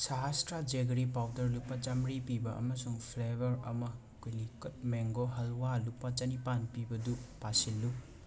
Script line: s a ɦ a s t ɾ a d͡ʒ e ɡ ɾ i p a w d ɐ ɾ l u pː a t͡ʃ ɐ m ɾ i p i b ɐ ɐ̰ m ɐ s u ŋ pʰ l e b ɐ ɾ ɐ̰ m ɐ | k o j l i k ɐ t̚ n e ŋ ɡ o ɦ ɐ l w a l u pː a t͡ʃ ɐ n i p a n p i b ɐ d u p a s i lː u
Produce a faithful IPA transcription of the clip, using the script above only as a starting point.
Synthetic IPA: s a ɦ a s t ɾ a d͡ʒ e ɡ ɾ i p a w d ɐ ɾ l u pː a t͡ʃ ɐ m ɾ i p i b ɐ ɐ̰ m ɐ s u ŋ pʰ l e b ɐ ɾ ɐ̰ m ɐ | k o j l i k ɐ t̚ m e ŋ ɡ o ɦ ɐ l w a l u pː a t͡ʃ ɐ n i p a n p i b ɐ d u p a s i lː u